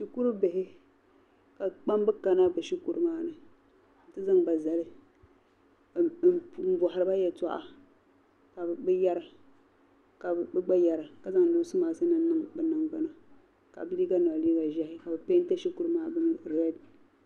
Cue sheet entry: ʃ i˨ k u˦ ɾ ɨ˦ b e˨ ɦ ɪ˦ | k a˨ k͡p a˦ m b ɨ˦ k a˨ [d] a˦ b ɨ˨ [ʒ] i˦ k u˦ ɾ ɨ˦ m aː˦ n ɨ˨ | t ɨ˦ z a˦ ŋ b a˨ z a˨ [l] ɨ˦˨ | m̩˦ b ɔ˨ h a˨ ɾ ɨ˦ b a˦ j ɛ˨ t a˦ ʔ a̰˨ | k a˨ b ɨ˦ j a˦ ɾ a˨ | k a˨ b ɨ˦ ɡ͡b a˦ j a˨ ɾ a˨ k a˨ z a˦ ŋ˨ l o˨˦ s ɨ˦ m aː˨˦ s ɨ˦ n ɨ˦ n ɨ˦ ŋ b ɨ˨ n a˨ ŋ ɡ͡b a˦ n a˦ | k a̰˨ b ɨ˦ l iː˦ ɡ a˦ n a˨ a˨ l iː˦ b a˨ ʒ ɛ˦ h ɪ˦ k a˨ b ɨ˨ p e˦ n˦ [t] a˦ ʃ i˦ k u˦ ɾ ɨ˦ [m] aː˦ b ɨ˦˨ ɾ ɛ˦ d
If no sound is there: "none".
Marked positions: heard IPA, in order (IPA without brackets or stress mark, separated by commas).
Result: n, ʃ, l, t, m